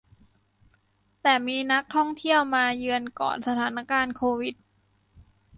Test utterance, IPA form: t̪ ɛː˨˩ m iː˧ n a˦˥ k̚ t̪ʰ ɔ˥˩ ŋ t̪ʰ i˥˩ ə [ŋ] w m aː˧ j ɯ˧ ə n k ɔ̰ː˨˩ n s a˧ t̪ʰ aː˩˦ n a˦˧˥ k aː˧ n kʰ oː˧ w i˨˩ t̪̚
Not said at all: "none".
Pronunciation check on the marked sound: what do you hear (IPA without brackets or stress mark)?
none